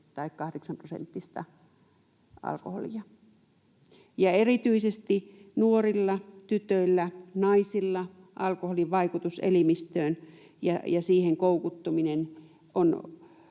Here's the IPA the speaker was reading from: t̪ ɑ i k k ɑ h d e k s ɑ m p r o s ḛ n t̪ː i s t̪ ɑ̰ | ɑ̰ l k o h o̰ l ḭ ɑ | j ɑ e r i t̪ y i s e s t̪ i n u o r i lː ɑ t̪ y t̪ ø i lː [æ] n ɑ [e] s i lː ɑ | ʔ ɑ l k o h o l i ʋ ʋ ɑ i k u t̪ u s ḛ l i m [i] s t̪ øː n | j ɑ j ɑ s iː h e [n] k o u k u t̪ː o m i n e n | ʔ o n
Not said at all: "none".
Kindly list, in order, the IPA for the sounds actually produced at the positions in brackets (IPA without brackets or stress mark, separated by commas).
æ, i, i, ŋ